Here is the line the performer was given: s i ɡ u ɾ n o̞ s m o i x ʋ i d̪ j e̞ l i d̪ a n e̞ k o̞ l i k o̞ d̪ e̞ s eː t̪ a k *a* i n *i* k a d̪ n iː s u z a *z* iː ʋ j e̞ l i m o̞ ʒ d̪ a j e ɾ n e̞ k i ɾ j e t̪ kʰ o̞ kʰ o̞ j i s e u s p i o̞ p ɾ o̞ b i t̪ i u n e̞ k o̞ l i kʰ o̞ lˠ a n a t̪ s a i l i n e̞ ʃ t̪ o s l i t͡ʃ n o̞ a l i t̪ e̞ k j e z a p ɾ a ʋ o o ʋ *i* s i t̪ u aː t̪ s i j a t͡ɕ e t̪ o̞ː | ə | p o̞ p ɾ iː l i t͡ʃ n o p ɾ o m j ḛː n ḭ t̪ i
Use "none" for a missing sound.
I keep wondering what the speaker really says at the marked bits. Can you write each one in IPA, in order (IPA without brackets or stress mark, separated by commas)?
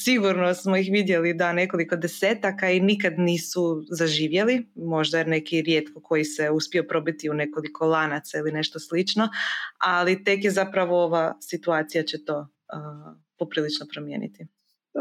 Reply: a, i, ʒ, a